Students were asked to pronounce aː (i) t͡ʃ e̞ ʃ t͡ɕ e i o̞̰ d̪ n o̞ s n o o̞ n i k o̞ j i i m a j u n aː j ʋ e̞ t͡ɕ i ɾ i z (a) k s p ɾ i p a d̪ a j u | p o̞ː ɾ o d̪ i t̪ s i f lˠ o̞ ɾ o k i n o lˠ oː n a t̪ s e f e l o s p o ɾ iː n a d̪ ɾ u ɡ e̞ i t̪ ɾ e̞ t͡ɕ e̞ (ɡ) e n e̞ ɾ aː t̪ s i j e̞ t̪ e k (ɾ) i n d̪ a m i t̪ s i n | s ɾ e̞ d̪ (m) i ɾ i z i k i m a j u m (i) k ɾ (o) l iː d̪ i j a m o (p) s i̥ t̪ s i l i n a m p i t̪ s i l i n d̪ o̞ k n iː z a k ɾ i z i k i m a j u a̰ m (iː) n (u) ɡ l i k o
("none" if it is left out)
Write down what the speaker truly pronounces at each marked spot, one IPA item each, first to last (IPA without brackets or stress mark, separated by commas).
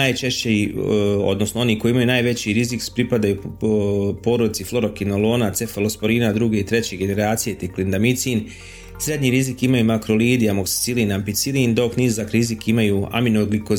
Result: j, i, ɡ, l, ɲ, a, o, k, i, o